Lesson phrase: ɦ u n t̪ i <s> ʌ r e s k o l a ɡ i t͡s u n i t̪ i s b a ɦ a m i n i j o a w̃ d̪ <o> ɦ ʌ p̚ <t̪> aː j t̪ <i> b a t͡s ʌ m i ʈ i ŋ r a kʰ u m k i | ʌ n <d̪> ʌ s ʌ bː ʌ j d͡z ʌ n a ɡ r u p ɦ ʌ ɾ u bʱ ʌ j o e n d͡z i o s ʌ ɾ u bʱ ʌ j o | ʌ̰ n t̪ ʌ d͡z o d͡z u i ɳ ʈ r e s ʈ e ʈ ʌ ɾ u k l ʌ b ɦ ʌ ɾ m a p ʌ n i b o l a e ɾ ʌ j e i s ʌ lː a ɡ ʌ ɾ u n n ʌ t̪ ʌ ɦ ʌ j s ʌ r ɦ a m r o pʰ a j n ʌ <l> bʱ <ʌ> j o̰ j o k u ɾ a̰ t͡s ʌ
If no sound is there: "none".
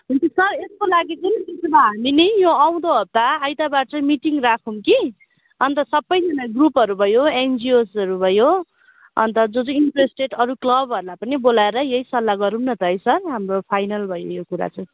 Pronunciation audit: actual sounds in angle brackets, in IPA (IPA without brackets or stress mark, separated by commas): s, o, t̪, a, t̪, l, ʌ